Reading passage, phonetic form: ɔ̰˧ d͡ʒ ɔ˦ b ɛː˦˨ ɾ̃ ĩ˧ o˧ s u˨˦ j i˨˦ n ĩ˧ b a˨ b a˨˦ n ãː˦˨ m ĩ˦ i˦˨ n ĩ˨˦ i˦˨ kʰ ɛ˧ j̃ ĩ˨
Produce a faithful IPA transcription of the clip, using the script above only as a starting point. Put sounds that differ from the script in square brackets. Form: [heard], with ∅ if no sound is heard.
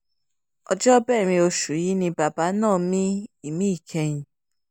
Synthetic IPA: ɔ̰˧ d͡ʒ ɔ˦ b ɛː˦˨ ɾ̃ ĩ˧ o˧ [ʃ] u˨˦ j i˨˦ n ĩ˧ b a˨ b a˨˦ n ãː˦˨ m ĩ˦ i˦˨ [m] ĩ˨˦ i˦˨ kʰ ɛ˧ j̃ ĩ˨